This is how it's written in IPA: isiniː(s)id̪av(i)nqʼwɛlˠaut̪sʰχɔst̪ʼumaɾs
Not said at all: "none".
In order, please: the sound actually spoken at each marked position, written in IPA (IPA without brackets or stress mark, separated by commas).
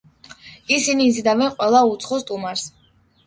z, ɛ